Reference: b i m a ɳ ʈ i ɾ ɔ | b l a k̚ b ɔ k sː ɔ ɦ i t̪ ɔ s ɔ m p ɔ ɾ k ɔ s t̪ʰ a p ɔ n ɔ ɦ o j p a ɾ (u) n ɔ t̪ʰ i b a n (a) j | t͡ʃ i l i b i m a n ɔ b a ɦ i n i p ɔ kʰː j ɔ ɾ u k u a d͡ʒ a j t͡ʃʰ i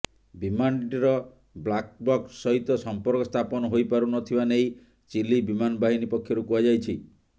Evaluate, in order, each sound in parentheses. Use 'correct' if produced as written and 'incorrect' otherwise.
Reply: correct, incorrect: e

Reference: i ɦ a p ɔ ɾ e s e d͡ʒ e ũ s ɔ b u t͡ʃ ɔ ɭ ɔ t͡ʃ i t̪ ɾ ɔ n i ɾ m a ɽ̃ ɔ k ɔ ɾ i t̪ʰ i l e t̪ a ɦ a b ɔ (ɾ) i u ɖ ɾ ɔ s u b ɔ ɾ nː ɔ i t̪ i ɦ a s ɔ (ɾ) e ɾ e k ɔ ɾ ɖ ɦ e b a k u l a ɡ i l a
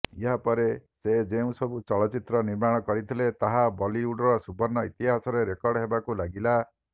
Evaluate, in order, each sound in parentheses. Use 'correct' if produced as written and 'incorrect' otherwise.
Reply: incorrect: l, correct

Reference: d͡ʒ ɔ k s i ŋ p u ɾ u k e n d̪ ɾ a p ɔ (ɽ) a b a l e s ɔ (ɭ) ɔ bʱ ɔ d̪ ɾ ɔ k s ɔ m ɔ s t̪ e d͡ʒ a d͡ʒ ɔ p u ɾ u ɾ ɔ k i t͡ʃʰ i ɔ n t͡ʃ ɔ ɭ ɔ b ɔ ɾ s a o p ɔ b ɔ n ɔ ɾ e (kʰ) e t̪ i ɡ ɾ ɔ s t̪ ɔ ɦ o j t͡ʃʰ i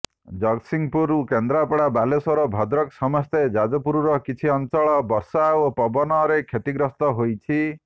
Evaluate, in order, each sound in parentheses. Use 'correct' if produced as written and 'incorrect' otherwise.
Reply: correct, incorrect: ɾ, correct

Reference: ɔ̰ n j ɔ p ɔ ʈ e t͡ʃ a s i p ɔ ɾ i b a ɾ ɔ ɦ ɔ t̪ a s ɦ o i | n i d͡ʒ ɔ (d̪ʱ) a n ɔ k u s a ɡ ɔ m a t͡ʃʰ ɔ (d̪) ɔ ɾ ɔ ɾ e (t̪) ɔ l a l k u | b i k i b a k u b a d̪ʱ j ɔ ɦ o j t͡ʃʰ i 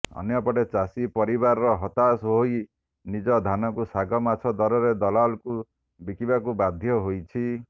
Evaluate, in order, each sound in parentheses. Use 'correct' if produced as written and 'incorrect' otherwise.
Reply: correct, correct, incorrect: d̪

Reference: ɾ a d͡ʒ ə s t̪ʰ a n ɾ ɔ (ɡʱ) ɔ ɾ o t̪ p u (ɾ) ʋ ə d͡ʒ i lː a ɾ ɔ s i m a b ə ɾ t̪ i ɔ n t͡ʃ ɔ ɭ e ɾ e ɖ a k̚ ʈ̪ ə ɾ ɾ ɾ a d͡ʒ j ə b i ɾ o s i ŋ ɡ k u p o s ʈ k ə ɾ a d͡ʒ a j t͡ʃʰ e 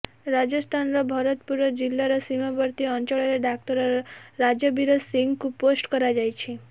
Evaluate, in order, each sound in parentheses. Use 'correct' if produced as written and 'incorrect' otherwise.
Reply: incorrect: bʱ, correct

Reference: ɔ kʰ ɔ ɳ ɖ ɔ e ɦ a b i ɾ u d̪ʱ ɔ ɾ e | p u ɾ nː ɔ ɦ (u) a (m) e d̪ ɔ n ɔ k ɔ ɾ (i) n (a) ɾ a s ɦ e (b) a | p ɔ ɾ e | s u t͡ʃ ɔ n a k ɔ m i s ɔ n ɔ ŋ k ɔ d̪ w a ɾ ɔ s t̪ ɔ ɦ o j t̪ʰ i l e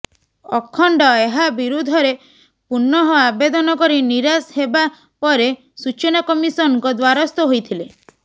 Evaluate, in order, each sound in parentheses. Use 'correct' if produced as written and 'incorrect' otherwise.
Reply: incorrect: ɔ, incorrect: b, correct, incorrect: i, correct

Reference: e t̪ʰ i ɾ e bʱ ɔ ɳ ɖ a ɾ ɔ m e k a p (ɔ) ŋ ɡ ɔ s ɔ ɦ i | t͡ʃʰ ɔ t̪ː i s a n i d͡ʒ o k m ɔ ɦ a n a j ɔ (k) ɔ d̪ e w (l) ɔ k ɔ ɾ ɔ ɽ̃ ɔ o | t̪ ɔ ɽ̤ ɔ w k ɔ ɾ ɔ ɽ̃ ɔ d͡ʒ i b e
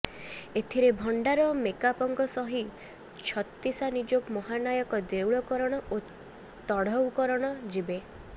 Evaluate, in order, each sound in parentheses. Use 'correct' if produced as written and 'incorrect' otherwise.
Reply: correct, correct, incorrect: ɭ

